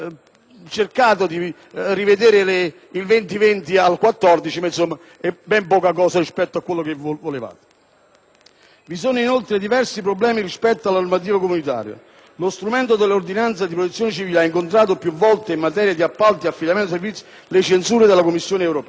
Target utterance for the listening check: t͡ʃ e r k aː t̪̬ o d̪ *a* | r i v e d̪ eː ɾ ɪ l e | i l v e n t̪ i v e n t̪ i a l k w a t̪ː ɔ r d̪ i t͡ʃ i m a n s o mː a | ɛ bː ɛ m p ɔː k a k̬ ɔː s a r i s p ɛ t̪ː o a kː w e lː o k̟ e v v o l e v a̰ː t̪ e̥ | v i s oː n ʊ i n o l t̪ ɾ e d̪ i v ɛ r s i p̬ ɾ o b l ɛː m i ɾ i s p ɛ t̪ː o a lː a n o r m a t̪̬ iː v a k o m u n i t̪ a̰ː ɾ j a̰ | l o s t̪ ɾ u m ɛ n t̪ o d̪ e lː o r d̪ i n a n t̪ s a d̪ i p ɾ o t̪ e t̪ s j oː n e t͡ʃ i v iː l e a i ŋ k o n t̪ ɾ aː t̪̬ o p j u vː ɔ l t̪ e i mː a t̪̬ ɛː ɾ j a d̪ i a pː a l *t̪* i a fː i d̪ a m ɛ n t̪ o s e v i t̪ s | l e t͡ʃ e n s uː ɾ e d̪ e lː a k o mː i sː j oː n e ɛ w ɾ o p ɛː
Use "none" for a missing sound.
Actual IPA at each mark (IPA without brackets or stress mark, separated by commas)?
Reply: i, t̪